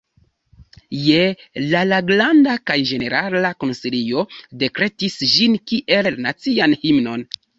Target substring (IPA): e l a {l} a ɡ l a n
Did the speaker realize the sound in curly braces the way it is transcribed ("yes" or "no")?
yes